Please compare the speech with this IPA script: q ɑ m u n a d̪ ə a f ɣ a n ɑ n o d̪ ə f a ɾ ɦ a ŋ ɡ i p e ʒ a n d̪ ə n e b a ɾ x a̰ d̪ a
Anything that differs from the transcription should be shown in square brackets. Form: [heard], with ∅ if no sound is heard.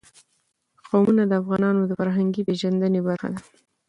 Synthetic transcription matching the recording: q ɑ m u n a d̪ ə a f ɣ [ɑ] n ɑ n o d̪ ə f a ɾ ɦ a ŋ ɡ i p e ʒ a n d̪ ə n e b a ɾ x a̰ d̪ a

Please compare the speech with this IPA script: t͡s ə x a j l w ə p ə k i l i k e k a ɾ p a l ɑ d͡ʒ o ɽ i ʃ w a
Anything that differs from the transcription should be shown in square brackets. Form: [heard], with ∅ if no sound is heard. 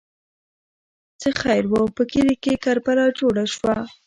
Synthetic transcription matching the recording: t͡s ə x a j [ɾ] w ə p ə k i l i k e k a ɾ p a l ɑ d͡ʒ o ɽ [a] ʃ w a

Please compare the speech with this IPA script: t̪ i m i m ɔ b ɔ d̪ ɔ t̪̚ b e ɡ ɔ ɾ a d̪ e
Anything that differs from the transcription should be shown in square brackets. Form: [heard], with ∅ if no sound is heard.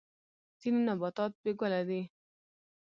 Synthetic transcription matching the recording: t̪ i [n] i [n] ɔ b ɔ [t̪] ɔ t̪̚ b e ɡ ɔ [l] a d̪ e

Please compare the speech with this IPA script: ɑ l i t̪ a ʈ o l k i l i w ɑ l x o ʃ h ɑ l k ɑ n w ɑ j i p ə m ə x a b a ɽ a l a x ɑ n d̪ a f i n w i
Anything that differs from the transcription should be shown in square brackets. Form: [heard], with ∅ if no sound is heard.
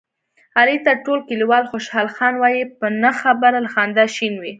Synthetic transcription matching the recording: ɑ l i t̪ a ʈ o l k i l i w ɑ l x o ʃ h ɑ l [x] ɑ n w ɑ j i p ə [n] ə x a b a [ɾ] a l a x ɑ n d̪ a [ʃ] i n w i

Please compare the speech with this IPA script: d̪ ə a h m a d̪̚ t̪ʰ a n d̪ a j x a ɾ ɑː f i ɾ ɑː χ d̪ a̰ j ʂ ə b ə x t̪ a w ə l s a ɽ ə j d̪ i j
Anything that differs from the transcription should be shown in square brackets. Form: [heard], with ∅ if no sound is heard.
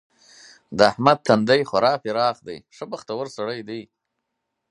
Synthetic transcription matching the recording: d̪ ə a h m a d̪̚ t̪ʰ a n d̪ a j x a ɾ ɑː f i ɾ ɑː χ d̪ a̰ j ʂ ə b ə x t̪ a w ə [ɾ] s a ɽ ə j d̪ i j

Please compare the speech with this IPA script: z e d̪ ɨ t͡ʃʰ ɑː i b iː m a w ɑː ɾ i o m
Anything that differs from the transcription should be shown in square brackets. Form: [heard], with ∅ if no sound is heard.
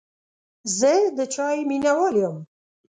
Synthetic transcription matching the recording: z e d̪ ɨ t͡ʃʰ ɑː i [m] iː [n] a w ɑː [l] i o m

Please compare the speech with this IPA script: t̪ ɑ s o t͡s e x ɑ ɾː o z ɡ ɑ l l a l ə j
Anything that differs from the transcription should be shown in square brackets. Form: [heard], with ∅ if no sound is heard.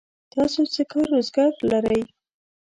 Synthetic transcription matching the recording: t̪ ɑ s o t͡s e [k] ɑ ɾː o z ɡ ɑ [ɾ] l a [ɾ] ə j

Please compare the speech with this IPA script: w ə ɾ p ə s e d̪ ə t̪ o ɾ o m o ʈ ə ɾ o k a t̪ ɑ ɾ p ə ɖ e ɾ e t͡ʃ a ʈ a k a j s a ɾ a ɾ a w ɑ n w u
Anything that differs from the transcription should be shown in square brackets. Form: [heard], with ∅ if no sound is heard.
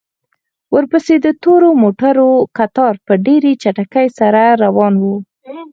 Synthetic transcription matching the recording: w ə ɾ p ə s e d̪ ə t̪ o ɾ o m o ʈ [a] ɾ o k a t̪ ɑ ɾ p ə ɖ e ɾ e t͡ʃ a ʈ a k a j s a ɾ a ɾ a w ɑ n w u

